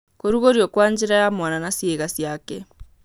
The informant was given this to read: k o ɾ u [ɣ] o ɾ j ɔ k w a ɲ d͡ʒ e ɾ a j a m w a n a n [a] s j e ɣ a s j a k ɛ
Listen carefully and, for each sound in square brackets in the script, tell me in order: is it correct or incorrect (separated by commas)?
correct, correct